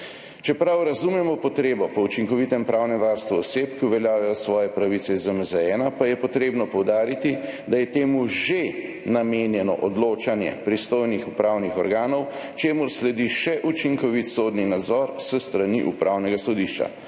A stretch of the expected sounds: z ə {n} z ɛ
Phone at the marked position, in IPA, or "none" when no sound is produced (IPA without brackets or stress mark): m